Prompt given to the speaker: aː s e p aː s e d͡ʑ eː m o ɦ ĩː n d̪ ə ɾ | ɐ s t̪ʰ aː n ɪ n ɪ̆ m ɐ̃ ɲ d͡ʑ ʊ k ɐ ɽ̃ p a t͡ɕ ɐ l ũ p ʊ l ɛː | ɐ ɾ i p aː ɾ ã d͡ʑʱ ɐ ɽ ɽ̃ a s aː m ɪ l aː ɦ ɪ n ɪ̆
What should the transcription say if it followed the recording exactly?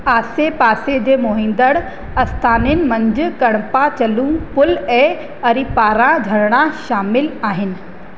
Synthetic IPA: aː s e p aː s e d͡ʑ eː m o ɦ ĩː n d̪ ə ɽ | ɐ s t̪ʰ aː n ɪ n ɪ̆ m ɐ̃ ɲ d͡ʑ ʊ k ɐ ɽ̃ p a t͡ɕ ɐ l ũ p ʊ l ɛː | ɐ ɾ i p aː ɾ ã d͡ʑʱ ɐ ɽ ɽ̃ a ʃ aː m ɪ l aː ɦ ɪ n ɪ̆